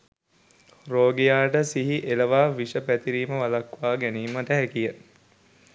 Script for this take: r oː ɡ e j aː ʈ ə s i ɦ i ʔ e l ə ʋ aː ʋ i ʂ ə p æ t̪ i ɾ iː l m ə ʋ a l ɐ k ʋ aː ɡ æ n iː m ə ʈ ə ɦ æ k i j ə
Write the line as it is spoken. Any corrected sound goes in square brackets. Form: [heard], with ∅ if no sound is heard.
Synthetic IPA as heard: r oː ɡ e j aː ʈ ə s i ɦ i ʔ e l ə ʋ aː ʋ i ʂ ə p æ t̪ i ɾ iː [∅] m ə ʋ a l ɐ k ʋ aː ɡ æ n iː m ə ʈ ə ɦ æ k i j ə